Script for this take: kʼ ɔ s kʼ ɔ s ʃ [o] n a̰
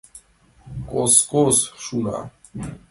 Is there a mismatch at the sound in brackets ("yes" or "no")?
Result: yes